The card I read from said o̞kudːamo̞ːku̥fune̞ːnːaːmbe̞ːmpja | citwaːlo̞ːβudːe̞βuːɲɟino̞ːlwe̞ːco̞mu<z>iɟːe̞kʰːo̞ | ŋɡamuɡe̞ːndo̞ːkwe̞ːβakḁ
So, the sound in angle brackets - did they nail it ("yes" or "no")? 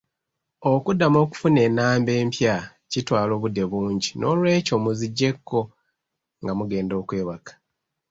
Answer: yes